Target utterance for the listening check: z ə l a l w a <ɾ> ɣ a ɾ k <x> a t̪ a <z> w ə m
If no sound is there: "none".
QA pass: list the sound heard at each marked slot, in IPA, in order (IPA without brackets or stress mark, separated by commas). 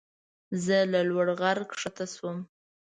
ɽ, ʂ, s